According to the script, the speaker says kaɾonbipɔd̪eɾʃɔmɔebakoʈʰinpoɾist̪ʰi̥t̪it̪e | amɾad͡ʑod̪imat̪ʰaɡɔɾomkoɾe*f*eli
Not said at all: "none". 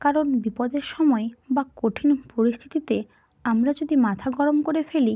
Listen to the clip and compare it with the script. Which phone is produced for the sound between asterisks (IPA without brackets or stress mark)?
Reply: f